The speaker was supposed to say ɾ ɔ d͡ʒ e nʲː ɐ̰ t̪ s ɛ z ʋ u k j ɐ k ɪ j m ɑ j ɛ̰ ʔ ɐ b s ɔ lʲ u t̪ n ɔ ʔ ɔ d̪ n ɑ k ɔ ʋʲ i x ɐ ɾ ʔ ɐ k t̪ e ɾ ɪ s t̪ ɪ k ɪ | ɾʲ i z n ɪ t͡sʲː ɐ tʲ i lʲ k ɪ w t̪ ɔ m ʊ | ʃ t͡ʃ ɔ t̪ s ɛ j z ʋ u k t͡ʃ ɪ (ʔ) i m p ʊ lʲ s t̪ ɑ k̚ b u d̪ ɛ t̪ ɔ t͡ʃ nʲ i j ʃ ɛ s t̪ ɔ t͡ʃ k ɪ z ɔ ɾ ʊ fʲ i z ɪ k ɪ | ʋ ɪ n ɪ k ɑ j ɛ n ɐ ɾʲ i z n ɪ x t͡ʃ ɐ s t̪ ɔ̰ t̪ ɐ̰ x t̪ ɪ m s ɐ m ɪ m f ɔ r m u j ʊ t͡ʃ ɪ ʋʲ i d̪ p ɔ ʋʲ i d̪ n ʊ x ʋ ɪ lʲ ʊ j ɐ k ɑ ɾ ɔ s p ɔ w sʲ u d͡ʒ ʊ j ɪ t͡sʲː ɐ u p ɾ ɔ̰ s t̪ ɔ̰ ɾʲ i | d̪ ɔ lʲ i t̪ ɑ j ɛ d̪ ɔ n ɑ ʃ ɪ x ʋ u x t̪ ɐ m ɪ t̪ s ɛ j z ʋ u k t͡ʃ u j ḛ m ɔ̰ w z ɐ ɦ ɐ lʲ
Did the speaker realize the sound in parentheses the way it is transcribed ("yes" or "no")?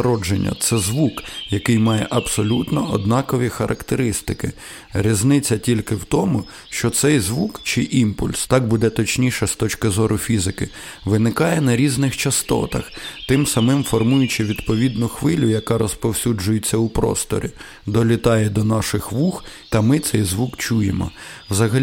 yes